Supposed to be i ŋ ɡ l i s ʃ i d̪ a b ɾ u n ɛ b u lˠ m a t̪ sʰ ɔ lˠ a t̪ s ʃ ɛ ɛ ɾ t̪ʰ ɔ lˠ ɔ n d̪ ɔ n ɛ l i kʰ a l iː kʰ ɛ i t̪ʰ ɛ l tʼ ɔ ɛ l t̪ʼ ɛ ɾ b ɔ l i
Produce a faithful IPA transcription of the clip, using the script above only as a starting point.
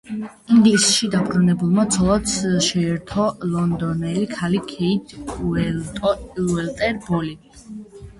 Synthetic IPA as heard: i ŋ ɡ l i s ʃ i d̪ a b ɾ u n ɛ b u lˠ m a t̪ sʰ ɔ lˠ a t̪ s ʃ ɛ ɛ ɾ t̪ʰ ɔ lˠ ɔ n d̪ ɔ n ɛ l i kʰ a l i kʰ ɛ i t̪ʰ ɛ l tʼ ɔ ɛ l t̪ʼ ɛ ɾ b ɔ l i